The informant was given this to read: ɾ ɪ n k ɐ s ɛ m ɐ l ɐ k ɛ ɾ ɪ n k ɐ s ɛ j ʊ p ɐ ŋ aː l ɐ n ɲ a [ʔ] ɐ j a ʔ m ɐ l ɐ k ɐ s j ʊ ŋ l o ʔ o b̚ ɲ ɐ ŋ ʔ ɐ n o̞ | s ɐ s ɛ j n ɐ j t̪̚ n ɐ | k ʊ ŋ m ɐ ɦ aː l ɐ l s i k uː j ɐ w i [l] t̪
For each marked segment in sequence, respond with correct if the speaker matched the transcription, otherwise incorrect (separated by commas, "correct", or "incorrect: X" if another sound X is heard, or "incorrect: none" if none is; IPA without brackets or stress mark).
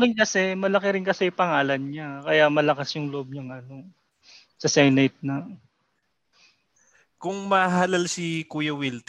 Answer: incorrect: k, correct